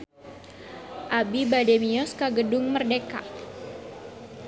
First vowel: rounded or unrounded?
unrounded